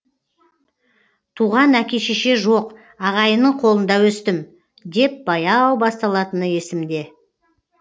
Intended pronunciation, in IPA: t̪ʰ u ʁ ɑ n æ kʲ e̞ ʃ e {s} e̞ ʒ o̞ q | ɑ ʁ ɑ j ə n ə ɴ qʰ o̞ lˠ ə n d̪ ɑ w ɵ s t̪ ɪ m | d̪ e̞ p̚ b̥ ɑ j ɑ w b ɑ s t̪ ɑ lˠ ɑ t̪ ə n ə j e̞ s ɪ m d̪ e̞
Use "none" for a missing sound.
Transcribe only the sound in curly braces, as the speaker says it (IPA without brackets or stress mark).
ʃ